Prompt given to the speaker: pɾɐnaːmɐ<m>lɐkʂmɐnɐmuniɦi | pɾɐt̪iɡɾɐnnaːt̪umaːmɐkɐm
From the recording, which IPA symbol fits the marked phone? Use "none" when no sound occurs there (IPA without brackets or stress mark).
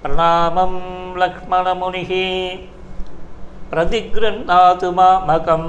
m